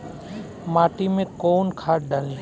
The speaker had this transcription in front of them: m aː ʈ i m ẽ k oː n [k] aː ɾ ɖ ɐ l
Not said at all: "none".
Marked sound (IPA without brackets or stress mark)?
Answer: kʰ